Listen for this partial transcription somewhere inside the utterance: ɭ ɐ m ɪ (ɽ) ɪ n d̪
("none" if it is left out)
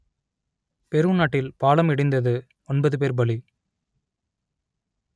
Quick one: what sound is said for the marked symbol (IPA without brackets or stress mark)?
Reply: ɽ